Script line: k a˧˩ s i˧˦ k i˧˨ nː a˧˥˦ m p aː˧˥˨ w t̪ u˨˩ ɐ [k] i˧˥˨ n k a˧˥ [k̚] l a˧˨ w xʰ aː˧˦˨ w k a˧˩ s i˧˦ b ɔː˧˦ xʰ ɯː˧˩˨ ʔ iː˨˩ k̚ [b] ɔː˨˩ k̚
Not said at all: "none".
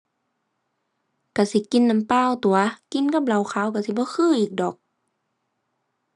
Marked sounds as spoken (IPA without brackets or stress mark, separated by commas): k, p̚, d